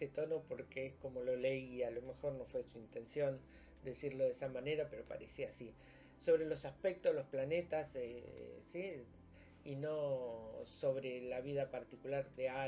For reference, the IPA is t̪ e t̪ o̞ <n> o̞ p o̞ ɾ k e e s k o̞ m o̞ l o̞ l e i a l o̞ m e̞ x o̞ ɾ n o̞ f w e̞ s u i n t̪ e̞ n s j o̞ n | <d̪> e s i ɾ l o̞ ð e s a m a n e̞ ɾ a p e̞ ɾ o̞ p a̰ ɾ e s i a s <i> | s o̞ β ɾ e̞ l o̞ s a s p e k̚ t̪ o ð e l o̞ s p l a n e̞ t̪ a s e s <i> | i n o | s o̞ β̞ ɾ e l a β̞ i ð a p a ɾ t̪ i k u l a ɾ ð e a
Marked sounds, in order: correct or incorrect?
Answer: correct, correct, correct, correct

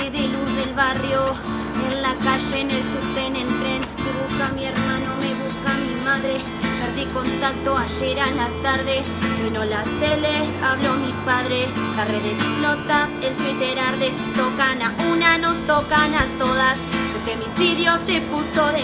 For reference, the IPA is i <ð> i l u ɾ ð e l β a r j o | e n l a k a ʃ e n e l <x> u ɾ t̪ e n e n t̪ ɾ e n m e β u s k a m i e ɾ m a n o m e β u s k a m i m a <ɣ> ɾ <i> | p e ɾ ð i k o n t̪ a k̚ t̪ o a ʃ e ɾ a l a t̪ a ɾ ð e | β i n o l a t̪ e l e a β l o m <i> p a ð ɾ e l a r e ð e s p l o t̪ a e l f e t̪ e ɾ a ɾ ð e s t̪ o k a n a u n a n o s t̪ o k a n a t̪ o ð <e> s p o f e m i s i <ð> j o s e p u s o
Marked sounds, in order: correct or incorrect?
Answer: correct, incorrect: s, incorrect: ð, incorrect: e, correct, incorrect: a, correct

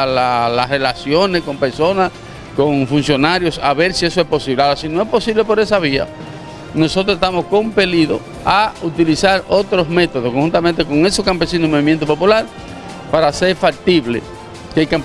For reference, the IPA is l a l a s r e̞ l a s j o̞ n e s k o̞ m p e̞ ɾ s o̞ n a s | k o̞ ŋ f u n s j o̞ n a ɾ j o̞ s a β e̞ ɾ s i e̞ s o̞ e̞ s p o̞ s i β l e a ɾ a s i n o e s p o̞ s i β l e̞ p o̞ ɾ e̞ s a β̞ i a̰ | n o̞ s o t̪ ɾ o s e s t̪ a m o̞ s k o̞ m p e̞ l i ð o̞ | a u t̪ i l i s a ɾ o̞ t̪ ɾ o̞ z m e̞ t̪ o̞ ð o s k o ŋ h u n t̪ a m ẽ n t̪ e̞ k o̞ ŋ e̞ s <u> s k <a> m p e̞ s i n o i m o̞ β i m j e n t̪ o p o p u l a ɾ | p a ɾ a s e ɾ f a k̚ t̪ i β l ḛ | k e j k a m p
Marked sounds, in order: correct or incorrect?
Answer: incorrect: o, correct

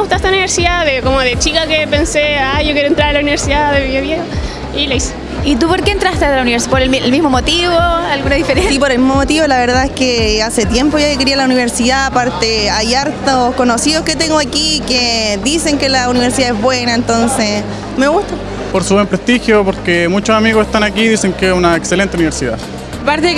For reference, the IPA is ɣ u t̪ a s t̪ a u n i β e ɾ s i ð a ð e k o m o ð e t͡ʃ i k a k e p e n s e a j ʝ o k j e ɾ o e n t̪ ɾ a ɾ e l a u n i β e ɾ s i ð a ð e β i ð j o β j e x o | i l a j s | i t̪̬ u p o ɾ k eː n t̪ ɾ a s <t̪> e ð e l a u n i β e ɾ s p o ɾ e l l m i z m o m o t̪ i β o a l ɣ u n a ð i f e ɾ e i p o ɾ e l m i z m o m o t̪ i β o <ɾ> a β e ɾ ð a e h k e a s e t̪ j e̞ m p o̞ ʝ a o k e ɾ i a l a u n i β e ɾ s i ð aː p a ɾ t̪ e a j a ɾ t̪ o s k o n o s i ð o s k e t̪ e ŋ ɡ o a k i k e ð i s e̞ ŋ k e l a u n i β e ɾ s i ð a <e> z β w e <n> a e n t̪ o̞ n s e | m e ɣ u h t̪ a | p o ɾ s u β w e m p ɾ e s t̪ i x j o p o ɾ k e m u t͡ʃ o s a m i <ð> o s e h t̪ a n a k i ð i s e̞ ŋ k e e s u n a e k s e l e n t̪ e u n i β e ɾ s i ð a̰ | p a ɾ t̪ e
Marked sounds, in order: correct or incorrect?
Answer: correct, incorrect: l, correct, correct, incorrect: ɣ

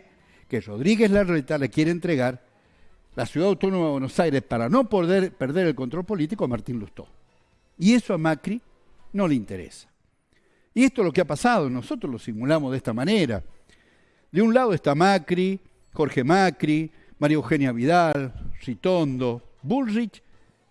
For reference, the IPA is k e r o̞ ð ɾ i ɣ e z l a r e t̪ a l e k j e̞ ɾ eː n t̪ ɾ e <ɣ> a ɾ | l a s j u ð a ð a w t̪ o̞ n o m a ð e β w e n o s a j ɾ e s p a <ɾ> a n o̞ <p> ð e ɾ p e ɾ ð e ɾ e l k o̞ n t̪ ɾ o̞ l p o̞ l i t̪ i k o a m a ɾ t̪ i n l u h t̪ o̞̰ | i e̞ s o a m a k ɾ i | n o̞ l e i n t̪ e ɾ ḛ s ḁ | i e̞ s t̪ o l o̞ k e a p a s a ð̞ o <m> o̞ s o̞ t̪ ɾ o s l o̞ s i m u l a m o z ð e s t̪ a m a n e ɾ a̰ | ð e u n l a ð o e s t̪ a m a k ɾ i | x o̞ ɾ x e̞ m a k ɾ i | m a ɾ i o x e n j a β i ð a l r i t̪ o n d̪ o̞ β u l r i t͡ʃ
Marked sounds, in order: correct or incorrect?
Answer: correct, correct, correct, incorrect: n

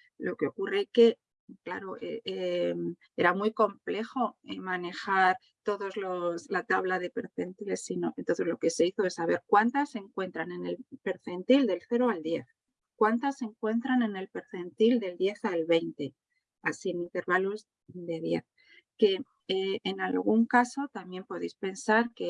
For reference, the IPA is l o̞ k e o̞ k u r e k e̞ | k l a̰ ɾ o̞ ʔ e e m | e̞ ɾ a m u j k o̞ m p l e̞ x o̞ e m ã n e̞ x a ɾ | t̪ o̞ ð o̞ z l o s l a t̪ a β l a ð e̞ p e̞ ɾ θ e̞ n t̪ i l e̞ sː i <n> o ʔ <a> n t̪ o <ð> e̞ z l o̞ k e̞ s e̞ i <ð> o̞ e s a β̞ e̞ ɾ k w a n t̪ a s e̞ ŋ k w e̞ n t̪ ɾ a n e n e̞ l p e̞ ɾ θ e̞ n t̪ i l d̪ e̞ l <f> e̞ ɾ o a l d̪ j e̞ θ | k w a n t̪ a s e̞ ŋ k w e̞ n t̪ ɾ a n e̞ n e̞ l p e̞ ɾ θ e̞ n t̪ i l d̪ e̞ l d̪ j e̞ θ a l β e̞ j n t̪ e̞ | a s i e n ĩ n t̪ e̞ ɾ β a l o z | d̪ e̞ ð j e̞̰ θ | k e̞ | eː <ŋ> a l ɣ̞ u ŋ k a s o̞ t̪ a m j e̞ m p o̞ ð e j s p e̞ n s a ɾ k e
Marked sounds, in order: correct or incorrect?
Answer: correct, incorrect: e, incorrect: θ, incorrect: θ, incorrect: θ, incorrect: n

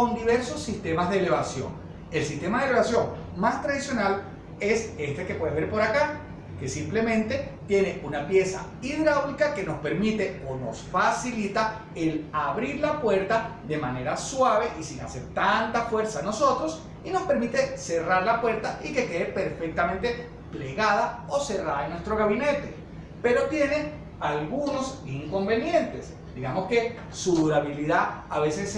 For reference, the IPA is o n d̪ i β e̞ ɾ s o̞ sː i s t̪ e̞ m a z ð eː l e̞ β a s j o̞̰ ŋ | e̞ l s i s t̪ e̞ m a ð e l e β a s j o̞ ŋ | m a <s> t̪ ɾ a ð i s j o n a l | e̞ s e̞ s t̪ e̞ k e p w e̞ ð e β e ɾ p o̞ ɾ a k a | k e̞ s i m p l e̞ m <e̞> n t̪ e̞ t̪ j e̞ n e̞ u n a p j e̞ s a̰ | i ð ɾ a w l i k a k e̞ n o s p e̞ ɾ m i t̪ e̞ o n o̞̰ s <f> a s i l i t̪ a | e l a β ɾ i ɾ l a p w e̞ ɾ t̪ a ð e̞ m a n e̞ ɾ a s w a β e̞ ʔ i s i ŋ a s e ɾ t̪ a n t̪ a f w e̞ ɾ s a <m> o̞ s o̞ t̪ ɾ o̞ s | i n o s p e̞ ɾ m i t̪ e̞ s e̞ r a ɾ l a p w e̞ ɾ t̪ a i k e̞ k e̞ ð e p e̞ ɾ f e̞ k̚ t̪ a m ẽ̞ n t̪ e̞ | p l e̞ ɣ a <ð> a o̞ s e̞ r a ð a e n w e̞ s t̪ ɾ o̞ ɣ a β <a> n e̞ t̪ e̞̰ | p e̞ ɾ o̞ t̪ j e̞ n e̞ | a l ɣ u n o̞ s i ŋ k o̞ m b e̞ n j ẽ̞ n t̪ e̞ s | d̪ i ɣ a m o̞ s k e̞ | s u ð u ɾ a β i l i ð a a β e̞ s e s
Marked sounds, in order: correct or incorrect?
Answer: correct, incorrect: ẽ̞, correct, incorrect: n, correct, incorrect: i

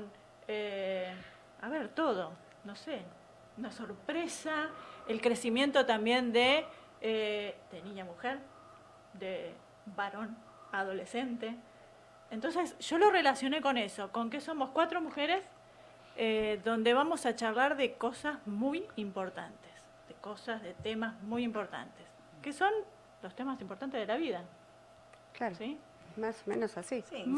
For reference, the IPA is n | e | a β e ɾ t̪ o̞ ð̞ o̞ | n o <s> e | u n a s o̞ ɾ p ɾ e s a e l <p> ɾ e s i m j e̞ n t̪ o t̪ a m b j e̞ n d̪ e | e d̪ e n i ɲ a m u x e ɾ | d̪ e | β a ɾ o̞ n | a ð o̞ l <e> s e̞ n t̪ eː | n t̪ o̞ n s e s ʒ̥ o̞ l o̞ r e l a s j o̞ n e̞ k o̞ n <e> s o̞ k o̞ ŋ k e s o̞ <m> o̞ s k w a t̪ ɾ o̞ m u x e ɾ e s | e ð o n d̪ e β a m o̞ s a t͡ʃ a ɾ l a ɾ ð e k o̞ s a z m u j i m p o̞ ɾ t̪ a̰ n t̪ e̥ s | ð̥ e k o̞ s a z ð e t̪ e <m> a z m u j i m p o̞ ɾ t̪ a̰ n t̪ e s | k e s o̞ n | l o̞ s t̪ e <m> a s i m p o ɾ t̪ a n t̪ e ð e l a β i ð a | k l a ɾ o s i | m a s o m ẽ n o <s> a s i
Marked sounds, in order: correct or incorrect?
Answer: correct, incorrect: k, correct, correct, correct, correct, correct, correct

